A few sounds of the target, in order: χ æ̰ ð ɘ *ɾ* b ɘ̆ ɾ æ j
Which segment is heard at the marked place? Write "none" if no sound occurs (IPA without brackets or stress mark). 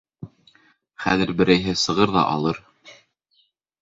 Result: ɾ